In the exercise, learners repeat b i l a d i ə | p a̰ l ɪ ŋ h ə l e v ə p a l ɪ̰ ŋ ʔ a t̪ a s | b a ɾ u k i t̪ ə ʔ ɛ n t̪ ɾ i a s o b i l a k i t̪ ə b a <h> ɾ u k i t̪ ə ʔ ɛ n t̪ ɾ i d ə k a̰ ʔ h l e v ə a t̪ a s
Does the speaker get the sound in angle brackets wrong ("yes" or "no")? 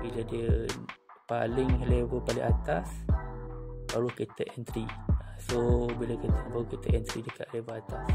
yes